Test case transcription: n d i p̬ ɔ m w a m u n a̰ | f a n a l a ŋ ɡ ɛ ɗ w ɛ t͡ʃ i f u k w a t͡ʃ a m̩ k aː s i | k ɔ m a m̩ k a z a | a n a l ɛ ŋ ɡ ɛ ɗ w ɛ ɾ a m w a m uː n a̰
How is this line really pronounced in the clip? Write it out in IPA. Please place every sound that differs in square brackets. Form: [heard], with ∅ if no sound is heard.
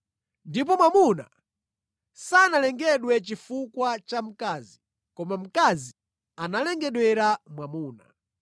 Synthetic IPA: n d i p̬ ɔ m w a m u n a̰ | [s] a n a l [ɛ] ŋ ɡ ɛ ɗ w ɛ t͡ʃ i f u k w a t͡ʃ a m̩ k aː [z] i | k ɔ m a m̩ k a z [i] | a n a l ɛ ŋ ɡ ɛ ɗ w ɛ ɾ a m w a m uː n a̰

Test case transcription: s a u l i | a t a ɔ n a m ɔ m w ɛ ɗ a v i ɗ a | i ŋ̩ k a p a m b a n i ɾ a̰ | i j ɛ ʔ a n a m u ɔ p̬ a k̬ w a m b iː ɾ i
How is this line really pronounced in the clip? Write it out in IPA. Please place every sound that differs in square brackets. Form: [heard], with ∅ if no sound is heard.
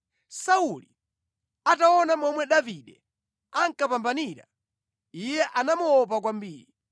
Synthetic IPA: s a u l i | a t a ɔ n a m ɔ m w ɛ ɗ a v i ɗ [ɛ] | [a] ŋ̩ k a p a m b a n i ɾ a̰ | i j ɛ ʔ a n a m u ɔ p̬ a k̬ w a m b iː ɾ i

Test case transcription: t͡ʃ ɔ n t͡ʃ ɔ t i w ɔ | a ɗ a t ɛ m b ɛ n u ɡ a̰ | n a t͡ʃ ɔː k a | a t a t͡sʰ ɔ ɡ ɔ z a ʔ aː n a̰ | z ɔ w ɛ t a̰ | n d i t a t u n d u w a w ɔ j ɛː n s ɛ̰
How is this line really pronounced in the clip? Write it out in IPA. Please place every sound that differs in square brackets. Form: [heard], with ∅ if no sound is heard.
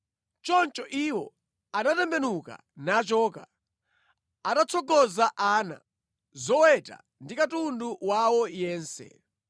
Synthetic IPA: t͡ʃ ɔ n t͡ʃ ɔ [ʔ] i w ɔ | a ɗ a t ɛ m b ɛ n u [k] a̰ | n a t͡ʃ ɔː k a | a t a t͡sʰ ɔ ɡ ɔ z a ʔ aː n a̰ | z ɔ w ɛ t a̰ | n d i [k] a t u n d u w a w ɔ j ɛː n s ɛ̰

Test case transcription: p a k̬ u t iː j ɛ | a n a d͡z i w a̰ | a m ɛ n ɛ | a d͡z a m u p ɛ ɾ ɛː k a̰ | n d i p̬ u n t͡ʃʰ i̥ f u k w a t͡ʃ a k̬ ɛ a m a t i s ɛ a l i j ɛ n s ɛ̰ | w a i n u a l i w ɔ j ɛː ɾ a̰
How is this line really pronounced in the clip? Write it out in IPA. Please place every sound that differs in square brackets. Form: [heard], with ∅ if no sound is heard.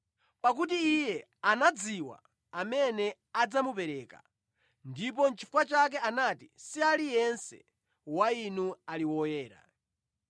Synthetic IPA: p a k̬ u t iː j ɛ | a n a d͡z i w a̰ | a m ɛ n ɛ | a d͡z a m u p ɛ ɾ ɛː k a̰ | n d i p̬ [ɔ] n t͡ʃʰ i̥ f u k w a t͡ʃ a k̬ ɛ a [n] a t i s [i] a l i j ɛ n s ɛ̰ | w a i n u a l i w ɔ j ɛː ɾ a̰

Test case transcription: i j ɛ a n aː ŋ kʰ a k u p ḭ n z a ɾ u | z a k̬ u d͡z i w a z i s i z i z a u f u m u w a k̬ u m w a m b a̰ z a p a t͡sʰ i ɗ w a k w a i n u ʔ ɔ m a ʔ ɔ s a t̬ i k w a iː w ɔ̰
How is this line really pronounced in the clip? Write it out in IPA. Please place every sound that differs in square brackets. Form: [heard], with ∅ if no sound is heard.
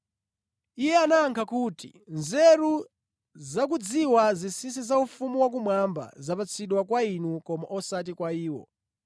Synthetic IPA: i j ɛ a n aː ŋ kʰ a k u [t] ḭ n z [ɛ] ɾ u | z a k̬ u d͡z i w a z i s i [s] i z a u f u m u w a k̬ u m w a m b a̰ z a p a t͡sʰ i ɗ w a k w a i n u [k] ɔ m a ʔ ɔ s a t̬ i k w a iː w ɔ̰

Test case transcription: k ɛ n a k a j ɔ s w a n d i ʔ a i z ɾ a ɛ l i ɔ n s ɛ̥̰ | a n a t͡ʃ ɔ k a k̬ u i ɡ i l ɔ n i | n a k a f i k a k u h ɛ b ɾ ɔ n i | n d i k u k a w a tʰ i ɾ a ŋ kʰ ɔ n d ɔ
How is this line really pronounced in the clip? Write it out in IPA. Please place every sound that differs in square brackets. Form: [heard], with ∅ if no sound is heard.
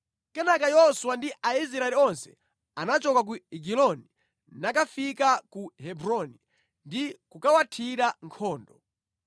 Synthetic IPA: k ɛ n a k a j ɔ s w a n d i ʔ a i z ɾ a ɛ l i ɔ n s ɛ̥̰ | a n a t͡ʃ ɔ k a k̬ u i ɡ i l ɔ n i | n a k a f i k a k u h ɛ b ɾ ɔ n i | n d i k u k a w a tʰ i ɾ a ŋ kʰ [ɔː] n d ɔ

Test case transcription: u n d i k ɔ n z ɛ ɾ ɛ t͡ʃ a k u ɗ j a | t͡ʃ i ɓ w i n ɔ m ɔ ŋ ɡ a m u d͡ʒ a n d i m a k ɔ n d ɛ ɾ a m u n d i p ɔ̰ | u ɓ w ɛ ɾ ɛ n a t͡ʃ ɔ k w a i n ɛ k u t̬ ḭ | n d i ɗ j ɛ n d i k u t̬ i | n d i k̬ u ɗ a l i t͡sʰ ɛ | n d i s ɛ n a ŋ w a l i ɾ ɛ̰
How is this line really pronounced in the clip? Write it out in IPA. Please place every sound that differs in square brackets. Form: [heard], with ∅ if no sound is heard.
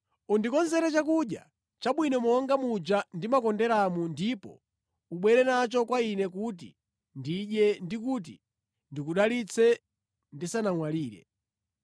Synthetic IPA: u n d i k ɔ n z ɛ ɾ ɛ t͡ʃ a k u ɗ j a | t͡ʃ [a] ɓ w i n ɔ m ɔ ŋ ɡ a m u d͡ʒ a n d i m a k ɔ n d ɛ ɾ a m u n d i p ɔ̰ | u ɓ w ɛ ɾ ɛ n a t͡ʃ ɔ k w a i n ɛ k u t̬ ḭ | n d i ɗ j ɛ n d i k u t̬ i | n d i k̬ u ɗ a l i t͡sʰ ɛ | n d i s [a] n a ŋ w a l [iː] ɾ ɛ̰

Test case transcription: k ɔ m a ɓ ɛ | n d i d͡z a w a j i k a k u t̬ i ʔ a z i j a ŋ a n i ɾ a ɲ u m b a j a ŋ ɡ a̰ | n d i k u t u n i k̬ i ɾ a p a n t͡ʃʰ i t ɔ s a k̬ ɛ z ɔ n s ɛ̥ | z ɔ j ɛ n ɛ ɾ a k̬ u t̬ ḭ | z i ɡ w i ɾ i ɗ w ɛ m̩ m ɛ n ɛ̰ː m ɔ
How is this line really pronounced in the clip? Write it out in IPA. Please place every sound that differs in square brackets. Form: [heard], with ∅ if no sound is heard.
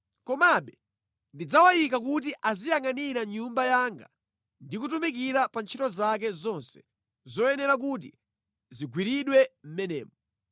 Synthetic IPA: k ɔ m a ɓ ɛ | n d i d͡z a w a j i k a k u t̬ i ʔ a z i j a ŋ a n i ɾ a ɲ u m b a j a ŋ ɡ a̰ | n d i k u t u [m] i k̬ i ɾ a p a n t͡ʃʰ i t ɔ [z] a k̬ ɛ z ɔ n s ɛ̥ | z ɔ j ɛ n ɛ ɾ a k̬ u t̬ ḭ | z i ɡ w i ɾ i ɗ w ɛ m̩ m ɛ n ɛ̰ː m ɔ

